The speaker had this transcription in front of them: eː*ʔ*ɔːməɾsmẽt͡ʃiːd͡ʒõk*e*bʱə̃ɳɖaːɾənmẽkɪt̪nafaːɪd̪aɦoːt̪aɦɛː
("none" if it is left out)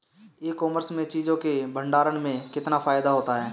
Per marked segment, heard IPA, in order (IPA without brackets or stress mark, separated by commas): k, e